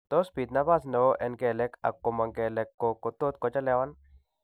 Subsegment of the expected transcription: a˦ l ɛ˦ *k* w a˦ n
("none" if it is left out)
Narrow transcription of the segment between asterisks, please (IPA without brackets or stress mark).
none